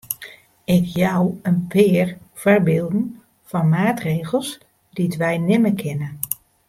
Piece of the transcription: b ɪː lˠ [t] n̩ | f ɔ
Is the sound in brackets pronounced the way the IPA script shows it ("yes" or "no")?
no